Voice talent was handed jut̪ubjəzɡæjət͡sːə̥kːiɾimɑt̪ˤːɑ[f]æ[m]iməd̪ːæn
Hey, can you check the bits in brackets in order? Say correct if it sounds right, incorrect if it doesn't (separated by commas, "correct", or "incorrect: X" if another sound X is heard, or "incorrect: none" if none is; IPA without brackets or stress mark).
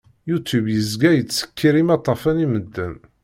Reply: correct, incorrect: n